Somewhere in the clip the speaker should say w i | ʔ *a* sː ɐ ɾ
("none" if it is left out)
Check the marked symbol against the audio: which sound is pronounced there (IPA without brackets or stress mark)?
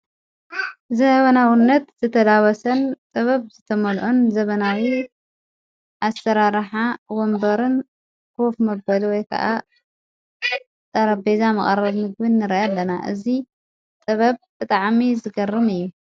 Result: a